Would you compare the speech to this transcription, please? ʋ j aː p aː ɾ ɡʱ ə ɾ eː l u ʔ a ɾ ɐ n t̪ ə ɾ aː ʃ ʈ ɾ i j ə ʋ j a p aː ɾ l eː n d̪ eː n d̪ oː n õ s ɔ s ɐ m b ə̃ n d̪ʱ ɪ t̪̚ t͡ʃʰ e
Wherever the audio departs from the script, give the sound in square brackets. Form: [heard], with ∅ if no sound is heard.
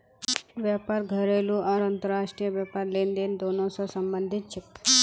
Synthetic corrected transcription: ʋ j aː p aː ɾ ɡʱ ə ɾ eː l u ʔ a ɾ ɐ n t̪ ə ɾ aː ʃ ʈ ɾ i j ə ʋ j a p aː ɾ l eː n d̪ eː n d̪ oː n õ s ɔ s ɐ m b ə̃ n d̪ʱ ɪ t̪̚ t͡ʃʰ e